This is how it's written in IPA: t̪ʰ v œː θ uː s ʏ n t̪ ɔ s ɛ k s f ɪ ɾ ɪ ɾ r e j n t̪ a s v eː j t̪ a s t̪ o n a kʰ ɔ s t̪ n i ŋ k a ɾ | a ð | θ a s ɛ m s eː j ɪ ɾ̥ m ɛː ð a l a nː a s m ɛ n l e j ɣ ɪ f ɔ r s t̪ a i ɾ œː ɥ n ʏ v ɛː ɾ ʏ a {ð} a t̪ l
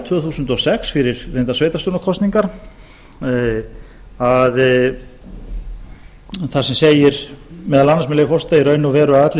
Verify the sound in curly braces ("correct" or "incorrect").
correct